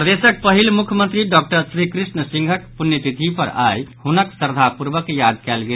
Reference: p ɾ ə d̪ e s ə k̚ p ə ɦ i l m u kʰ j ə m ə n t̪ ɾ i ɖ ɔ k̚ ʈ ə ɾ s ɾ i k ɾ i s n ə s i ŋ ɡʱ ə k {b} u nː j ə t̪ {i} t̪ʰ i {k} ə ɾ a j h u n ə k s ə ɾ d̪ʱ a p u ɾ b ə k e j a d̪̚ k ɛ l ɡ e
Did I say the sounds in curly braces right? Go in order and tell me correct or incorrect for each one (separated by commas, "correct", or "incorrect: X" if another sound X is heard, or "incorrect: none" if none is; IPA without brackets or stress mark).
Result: incorrect: p, correct, incorrect: p